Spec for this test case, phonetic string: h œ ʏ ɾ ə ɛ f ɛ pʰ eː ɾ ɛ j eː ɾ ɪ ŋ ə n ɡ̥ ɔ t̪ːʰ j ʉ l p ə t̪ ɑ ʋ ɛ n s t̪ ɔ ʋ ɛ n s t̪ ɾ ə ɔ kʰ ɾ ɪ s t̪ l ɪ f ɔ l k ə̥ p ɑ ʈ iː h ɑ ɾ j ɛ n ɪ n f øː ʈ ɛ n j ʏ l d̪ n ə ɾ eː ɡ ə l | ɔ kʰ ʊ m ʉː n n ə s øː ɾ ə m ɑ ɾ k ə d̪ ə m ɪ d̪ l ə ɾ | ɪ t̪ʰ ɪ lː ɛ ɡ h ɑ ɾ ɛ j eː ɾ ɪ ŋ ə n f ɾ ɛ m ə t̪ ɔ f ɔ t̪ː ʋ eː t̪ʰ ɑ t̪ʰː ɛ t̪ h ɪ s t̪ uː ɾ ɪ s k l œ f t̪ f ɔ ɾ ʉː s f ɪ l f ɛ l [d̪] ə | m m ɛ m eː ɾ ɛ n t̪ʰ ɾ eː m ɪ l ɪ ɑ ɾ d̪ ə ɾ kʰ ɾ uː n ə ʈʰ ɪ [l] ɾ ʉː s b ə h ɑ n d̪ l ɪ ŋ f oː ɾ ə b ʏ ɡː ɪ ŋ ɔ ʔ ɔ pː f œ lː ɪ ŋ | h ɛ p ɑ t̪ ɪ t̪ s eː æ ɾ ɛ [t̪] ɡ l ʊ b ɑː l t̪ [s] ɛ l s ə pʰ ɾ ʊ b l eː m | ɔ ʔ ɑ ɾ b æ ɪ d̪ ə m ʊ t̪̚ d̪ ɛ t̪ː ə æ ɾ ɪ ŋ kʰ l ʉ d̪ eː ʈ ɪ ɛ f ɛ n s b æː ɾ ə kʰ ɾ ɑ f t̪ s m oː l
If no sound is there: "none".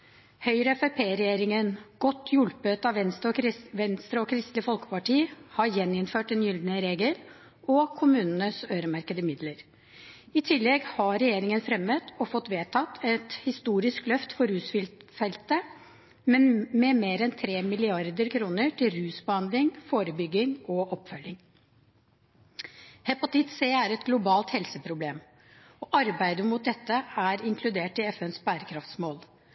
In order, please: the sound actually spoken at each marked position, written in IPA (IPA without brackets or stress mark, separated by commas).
t̪, l, t̪, h